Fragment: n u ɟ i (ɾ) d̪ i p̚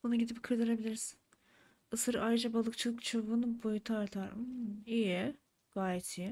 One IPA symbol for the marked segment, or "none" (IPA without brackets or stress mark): none